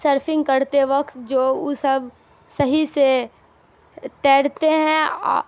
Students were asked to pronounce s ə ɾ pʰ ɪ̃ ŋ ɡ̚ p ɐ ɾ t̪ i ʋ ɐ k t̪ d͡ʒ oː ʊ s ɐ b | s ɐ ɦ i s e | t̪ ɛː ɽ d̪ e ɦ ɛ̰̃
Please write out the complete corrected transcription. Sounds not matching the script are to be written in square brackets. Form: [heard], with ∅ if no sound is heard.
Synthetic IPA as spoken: s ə ɾ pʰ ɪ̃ ŋ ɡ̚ [k] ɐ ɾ t̪ [e] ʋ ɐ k t̪ d͡ʒ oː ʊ s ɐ b | s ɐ ɦ i s e | t̪ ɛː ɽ [t̪] e ɦ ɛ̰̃